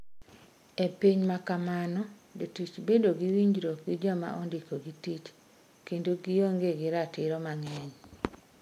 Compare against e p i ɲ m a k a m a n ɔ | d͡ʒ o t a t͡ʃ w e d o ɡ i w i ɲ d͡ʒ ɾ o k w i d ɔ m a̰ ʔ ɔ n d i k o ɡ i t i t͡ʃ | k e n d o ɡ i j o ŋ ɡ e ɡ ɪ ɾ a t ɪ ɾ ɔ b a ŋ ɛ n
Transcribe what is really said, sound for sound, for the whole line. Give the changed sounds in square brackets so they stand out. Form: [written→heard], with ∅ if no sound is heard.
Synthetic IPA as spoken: e p i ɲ m a k a m a n ɔ | d͡ʒ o t [a→i] t͡ʃ [w→b] e d o ɡ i w i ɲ d͡ʒ ɾ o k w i [d→d͡ʒ] ɔ m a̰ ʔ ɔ n d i k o ɡ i t i t͡ʃ | k e n d o ɡ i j o ŋ ɡ e ɡ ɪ ɾ a t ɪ ɾ ɔ [b→m] a ŋ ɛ [n→ɲ]